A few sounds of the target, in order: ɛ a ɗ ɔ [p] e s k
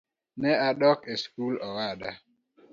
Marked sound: incorrect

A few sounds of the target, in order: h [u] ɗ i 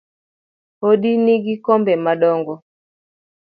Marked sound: incorrect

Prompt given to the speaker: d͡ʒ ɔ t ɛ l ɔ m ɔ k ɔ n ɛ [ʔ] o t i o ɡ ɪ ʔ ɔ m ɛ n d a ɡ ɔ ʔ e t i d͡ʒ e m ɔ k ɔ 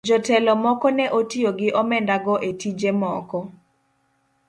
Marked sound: correct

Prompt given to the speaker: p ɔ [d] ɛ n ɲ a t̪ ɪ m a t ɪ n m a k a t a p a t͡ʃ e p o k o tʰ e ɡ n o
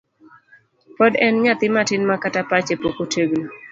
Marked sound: correct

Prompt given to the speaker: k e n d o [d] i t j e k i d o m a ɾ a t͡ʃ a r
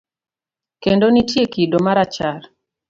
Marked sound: incorrect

